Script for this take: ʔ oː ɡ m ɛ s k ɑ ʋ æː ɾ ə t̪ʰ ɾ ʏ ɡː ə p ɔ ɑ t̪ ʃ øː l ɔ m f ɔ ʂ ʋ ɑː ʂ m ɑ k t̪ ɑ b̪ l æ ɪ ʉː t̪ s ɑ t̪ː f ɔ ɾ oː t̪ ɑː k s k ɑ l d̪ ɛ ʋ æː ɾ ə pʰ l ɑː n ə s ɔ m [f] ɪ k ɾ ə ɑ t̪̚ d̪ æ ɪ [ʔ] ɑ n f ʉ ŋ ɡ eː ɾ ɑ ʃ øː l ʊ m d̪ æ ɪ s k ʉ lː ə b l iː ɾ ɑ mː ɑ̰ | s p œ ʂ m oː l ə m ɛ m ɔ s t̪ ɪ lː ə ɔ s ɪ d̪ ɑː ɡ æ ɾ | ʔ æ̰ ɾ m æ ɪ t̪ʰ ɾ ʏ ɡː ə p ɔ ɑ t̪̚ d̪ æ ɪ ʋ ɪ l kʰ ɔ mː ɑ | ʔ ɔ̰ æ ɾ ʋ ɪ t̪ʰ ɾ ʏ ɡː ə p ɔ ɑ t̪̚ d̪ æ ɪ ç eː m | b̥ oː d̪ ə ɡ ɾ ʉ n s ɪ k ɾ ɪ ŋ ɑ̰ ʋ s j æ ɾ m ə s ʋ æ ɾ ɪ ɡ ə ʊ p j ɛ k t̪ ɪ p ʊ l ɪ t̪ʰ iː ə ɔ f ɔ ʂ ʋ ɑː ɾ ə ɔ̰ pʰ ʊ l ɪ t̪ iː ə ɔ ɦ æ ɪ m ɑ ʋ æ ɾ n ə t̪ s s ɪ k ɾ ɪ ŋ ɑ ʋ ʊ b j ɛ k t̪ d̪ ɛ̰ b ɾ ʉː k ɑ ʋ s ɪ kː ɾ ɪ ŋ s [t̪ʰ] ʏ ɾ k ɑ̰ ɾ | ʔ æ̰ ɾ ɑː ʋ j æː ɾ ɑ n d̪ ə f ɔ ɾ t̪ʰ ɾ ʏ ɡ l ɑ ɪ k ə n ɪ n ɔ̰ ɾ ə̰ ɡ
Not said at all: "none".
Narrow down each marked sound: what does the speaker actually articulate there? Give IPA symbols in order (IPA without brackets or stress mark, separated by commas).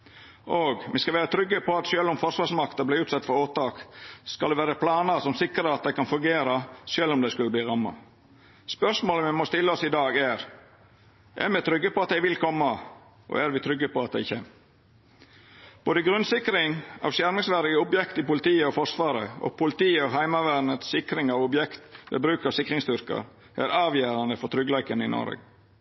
s, k, t̪